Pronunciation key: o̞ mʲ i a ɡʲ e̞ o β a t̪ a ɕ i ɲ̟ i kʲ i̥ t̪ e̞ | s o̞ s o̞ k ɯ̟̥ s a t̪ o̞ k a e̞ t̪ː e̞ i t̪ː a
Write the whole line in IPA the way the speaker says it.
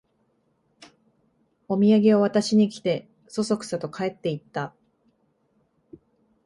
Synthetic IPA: o̞ mʲ i a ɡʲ e̞ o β a t̪ a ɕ i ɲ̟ i kʲ i̥ t̪ e̞ | s o̞ s o̞ k ɯ̟̥ s a t̪ o̞ k a e̞ t̪ː e̞ i t̪ː a